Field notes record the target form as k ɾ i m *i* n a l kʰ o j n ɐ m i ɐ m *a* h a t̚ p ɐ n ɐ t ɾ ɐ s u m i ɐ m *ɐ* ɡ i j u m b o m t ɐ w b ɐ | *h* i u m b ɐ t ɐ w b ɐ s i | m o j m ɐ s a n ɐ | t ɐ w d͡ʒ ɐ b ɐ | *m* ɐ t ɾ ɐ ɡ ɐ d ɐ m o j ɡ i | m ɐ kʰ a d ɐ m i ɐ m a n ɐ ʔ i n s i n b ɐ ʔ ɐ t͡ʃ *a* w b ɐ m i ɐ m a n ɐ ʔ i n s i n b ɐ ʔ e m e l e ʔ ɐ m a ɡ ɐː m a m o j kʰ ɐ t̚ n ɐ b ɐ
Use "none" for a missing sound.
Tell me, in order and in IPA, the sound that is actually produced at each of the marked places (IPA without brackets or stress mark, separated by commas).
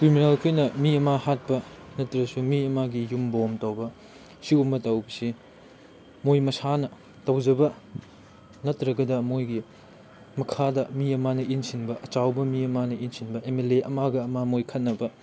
i, a, a, s, n, a